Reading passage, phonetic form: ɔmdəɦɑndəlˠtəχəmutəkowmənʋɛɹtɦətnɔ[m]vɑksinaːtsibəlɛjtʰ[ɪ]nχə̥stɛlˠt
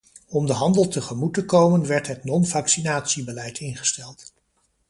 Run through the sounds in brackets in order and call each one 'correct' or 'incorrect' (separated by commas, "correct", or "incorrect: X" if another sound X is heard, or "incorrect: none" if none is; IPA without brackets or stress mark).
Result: incorrect: n, correct